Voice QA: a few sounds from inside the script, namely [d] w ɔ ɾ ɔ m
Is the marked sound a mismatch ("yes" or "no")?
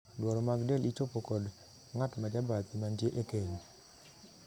no